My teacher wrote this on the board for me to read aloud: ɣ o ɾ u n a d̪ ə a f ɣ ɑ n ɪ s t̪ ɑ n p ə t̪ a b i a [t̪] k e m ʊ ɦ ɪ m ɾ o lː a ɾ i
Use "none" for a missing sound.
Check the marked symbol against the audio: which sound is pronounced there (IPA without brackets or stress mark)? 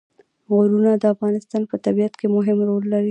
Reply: t̪